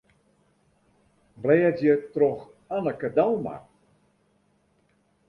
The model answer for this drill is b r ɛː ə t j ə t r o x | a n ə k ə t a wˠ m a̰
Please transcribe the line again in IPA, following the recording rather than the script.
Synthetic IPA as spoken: b l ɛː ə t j ə t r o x | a n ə k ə d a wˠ m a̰